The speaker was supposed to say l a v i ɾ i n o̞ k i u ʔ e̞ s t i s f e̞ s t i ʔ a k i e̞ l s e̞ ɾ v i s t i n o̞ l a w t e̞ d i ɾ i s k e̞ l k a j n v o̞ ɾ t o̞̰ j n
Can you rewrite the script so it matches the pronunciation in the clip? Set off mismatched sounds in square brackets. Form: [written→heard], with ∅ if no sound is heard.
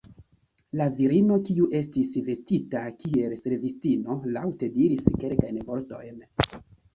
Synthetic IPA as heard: l a v i ɾ i n o̞ k i u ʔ e̞ s t i s [f→v] e̞ s t i [ʔ→t] a k i e̞ l s e̞ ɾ v i s t i n o̞ l a w t e̞ d i ɾ i s k e̞ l k a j n v o̞ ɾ t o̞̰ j n